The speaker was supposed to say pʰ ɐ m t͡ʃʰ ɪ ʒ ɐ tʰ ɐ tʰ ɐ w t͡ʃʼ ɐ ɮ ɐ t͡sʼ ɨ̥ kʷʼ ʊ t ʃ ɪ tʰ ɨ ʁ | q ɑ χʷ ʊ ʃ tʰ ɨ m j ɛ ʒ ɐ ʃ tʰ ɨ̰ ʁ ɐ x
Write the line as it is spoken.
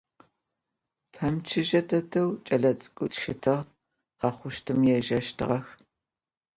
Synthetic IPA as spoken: pʰ ɐ m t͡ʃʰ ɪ ʒ ɐ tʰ ɐ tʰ ɐ w t͡ʃʼ ɐ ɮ ɐ t͡sʼ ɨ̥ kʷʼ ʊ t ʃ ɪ tʰ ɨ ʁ | q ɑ χʷ ʊ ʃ tʰ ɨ m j ɛ ʒ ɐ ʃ tʰ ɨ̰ ʁ ɐ x